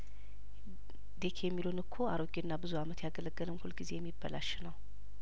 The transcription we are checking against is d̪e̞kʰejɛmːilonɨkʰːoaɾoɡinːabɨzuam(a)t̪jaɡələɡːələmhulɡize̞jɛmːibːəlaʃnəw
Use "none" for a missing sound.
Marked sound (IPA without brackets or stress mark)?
ə